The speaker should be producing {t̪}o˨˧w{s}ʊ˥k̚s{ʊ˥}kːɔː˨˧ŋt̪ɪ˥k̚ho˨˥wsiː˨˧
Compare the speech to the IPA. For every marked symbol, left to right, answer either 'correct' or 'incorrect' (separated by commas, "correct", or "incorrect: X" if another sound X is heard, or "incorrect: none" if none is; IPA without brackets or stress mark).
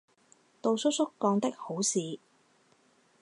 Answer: correct, correct, correct